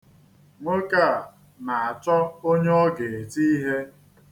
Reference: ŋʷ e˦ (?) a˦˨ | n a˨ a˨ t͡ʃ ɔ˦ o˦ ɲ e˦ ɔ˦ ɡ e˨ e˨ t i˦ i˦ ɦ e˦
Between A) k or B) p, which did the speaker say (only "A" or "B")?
A